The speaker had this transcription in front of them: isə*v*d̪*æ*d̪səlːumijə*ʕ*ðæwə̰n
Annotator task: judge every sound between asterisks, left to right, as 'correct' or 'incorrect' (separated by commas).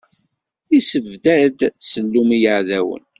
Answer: correct, correct, correct